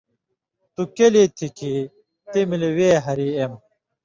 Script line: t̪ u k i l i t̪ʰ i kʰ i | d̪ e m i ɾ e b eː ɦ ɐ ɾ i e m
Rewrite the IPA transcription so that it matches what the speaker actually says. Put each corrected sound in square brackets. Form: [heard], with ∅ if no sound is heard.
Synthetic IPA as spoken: t̪ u k [e] l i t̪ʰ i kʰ i | [t̪] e m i [l] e [w] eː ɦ ɐ ɾ i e m